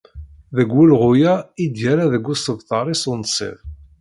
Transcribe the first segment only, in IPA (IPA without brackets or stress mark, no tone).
ð